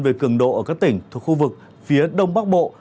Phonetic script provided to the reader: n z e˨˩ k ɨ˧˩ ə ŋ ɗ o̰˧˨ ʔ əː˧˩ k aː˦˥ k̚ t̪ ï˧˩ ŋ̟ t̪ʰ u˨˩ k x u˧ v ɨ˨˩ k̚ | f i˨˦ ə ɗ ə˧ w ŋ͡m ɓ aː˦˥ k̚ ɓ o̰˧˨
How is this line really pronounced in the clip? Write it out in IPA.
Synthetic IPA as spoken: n v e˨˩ k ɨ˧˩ ə ŋ ɗ o̰˧˨ ʔ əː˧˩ k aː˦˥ k̚ t̪ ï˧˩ ŋ̟ t̪ʰ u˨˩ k x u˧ v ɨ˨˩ k̚ | f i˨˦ ə ɗ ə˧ w ŋ͡m ɓ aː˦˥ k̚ ɓ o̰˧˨

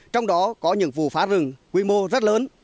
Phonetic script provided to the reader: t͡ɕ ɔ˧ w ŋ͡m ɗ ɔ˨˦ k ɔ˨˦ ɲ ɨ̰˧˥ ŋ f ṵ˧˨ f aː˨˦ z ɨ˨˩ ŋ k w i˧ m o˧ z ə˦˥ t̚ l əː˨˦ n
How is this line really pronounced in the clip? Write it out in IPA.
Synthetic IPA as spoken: t͡ɕ ɔ˧ w ŋ͡m ɗ ɔ˨˦ k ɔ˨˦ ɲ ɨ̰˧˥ ŋ v ṵ˧˨ f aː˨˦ z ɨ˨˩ ŋ k w i˧ m o˧ z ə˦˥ t̚ l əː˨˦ n

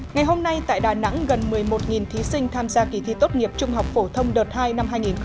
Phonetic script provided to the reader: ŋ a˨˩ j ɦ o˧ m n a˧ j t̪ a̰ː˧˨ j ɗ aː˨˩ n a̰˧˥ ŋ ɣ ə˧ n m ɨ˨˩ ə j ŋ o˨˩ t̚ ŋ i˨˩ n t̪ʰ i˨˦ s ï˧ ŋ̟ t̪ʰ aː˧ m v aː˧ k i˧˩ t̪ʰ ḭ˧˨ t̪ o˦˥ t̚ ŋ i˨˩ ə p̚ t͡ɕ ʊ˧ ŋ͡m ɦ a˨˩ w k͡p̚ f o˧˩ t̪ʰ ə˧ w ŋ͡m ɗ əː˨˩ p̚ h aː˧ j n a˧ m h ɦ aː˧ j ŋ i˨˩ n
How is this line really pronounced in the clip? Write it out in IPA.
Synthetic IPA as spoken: ŋ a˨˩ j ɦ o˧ m n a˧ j t̪ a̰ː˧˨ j ɗ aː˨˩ n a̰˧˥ ŋ ɣ ə˨˩ n m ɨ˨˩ ə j m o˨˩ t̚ ŋ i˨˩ n t̪ʰ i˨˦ s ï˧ ŋ̟ t̪ʰ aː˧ m z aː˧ k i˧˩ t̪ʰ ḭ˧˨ t̪ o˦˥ t̚ ŋ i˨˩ ə p̚ t͡ɕ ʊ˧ ŋ͡m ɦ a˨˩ w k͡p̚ f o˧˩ t̪ʰ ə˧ w ŋ͡m ɗ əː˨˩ t̚ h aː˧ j n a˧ m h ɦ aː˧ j ŋ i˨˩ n

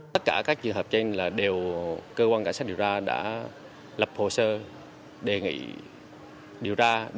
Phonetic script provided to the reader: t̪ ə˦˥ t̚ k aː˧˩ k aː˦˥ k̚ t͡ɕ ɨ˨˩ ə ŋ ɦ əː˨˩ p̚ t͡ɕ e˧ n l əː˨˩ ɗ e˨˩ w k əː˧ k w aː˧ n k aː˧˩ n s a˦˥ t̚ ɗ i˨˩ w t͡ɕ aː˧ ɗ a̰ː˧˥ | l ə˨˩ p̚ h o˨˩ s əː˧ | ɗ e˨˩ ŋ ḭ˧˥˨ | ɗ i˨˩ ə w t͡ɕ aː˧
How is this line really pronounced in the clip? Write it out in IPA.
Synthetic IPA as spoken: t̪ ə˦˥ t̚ k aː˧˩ k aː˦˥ k̚ t͡ɕ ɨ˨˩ ə ŋ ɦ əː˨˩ p̚ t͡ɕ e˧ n l aː˨˩ ɗ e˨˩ w k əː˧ k w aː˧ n k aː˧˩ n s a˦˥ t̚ ɗ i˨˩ w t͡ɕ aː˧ ɗ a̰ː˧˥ | l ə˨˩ p̚ h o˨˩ s əː˧ | ɗ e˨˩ ŋ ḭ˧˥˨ | ɗ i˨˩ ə w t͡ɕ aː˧

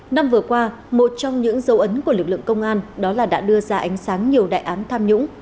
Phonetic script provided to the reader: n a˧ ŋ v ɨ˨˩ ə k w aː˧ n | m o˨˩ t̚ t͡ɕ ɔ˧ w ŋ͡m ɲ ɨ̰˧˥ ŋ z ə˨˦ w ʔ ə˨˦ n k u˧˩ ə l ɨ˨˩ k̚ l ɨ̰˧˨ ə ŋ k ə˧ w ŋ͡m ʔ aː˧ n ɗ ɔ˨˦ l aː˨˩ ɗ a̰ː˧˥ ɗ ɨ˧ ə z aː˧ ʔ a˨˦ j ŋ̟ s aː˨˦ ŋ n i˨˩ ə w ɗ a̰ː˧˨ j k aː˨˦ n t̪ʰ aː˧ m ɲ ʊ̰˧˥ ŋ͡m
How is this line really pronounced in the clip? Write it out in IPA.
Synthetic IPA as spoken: n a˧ m v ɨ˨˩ ə k w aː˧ | m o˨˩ t̚ t͡ɕ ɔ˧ w ŋ͡m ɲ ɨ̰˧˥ ŋ z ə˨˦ w ʔ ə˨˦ n k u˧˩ ə l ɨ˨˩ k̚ l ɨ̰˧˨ ə ŋ k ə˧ w ŋ͡m ʔ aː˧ n ɗ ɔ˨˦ l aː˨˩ ɗ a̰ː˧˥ ɗ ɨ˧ ə z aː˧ ʔ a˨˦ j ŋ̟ s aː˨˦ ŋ ɲ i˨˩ ə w ɗ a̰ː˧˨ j ʔ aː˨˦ n t̪ʰ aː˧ m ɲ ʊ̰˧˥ ŋ͡m

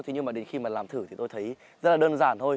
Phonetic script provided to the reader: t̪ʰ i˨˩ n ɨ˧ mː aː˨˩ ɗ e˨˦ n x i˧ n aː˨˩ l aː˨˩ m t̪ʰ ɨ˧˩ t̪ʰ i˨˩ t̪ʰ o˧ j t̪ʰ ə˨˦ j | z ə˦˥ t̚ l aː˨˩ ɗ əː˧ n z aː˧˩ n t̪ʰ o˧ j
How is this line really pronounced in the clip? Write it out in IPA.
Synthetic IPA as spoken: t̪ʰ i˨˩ ɲ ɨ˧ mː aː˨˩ ɗ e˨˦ n x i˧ m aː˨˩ l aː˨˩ m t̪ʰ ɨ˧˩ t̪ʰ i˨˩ t̪ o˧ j t̪ʰ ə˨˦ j | z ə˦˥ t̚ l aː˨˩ ɗ əː˧ n z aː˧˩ n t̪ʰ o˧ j

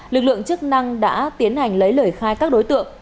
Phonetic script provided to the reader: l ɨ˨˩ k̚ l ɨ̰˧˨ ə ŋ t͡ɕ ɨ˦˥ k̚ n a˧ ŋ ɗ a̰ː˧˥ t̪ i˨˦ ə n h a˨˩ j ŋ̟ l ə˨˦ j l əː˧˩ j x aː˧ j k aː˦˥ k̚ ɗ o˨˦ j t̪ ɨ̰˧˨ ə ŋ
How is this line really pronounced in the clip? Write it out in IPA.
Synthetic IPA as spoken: l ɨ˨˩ k̚ l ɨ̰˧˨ ə ŋ t͡ɕ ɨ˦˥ k̚ n a˧ ŋ ɗ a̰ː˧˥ t̪ i˨˦ ə n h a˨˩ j ŋ̟ l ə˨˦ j l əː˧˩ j x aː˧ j k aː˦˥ k̚ ɗ o˨˦ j t̪ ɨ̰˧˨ ə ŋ

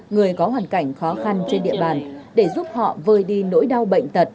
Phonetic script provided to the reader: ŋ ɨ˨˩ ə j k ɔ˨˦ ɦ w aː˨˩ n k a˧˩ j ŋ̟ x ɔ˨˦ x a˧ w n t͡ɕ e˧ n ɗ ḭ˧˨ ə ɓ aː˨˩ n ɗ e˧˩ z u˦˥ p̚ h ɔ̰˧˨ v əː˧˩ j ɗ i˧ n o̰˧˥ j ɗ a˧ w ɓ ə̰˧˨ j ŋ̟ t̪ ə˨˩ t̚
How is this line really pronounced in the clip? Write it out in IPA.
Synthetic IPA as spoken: ŋ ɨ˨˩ ə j k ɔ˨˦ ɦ w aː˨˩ n k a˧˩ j ŋ̟ x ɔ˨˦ x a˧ n t͡ɕ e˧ n ɗ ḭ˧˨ ə ɓ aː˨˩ n ɗ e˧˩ z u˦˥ p̚ h ɔ̰˧˨ v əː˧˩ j ɗ i˧ n o̰˧˥ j ɗ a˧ w ɓ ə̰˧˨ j ŋ̟ t̪ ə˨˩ t̚

